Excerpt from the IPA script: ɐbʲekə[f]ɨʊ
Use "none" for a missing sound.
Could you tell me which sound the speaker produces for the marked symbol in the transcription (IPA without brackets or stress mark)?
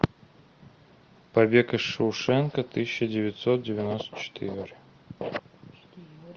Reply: ʂ